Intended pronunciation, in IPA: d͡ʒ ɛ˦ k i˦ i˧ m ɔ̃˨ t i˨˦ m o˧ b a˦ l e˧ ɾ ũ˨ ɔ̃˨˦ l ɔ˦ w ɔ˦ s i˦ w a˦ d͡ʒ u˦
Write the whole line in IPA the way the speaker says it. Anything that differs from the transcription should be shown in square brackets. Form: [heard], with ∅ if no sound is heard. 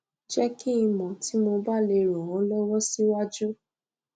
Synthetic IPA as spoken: d͡ʒ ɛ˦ k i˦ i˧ m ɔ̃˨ t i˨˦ m o˧ b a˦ l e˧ ɾ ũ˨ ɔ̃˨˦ l ɔ˦ w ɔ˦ s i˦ w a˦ d͡ʒ u˦